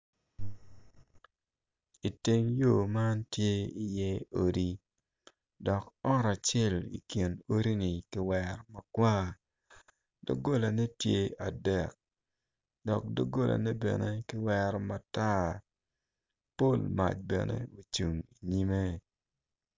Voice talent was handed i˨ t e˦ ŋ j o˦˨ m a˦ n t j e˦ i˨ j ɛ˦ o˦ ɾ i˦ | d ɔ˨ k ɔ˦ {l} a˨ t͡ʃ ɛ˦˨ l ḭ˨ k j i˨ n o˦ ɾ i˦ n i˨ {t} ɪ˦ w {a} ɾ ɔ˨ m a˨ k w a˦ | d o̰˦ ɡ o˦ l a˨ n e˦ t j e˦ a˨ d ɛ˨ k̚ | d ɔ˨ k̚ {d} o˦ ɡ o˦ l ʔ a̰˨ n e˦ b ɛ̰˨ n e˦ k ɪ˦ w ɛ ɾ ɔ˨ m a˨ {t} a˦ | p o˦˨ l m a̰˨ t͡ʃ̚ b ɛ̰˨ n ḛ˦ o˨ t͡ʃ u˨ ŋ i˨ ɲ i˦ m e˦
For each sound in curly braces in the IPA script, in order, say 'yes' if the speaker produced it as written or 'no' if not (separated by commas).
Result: no, no, no, yes, yes